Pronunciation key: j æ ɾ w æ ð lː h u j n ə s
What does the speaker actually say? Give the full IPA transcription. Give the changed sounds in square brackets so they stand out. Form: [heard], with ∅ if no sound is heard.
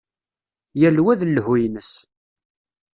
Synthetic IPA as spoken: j æ [l] w æ ð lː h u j n ə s